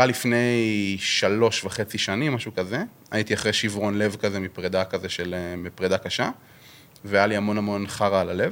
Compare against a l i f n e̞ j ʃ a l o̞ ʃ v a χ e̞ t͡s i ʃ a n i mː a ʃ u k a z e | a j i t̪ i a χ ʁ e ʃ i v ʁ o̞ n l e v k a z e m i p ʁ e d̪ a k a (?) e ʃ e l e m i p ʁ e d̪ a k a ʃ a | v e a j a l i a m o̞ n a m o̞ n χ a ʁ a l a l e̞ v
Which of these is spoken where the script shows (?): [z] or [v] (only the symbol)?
z